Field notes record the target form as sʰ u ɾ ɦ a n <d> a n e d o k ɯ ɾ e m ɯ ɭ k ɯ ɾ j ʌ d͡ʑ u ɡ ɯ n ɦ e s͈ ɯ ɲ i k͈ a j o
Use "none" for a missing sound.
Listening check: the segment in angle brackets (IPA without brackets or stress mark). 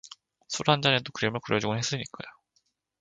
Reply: d͡ʑ